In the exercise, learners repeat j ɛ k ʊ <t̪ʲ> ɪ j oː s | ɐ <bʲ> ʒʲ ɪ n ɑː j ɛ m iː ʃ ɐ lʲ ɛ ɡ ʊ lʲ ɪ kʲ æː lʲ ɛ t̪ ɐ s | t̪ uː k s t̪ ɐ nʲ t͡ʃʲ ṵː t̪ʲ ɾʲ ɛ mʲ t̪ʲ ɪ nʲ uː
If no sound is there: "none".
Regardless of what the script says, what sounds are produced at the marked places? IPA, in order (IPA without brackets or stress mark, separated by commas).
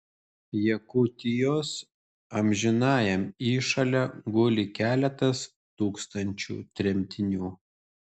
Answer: t̪ʲ, mʲ